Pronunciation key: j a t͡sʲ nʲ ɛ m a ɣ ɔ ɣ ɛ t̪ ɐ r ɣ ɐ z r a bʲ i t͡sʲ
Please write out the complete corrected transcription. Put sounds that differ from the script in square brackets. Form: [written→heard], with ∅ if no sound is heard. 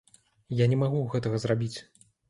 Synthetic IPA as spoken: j a [t͡sʲ→∅] nʲ ɛ m a ɣ [ɔ→u] ɣ ɛ t̪ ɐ [r→∅] ɣ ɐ z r a bʲ i t͡sʲ